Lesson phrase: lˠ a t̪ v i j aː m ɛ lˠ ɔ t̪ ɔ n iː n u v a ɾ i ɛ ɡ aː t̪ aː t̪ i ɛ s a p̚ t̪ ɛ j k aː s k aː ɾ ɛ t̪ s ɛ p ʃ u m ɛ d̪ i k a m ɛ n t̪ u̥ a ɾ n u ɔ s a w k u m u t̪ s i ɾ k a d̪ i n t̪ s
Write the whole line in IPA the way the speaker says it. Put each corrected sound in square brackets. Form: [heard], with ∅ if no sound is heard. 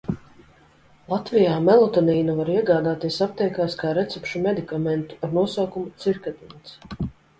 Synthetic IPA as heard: lˠ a t̪ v i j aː m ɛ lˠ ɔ t̪ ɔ n iː n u v a ɾ i ɛ ɡ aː [d̪] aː t̪ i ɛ s a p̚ t̪ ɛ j k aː s k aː ɾ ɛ t̪ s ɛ p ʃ u m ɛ d̪ i k a m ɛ n t̪ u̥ a ɾ n u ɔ s a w k u m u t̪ s i ɾ k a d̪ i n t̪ s